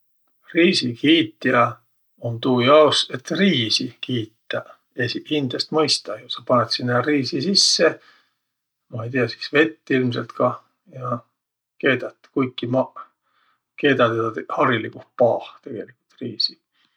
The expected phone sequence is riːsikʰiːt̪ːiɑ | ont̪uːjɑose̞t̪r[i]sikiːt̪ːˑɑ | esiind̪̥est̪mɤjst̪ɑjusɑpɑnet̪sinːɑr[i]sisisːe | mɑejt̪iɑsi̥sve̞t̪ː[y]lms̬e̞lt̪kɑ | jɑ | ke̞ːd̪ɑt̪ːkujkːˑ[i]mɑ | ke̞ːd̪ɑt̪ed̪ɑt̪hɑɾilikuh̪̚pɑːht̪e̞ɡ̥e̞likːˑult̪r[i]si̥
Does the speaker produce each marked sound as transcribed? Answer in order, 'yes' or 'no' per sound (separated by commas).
no, no, no, yes, no